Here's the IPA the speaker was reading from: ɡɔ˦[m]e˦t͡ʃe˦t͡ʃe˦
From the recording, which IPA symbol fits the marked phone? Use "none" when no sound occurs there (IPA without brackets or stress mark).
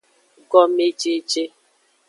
m